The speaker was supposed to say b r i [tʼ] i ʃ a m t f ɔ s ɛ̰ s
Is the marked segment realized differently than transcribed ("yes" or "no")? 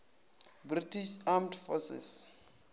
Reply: yes